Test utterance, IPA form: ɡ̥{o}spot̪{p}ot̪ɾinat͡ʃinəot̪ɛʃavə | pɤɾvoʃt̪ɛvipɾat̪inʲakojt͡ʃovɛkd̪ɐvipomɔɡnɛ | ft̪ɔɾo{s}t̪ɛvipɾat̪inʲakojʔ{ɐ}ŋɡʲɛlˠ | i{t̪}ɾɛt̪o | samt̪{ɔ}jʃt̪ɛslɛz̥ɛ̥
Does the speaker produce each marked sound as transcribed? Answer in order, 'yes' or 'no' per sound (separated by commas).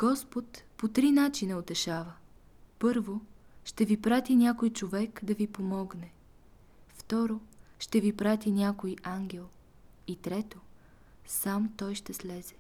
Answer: no, yes, no, no, yes, yes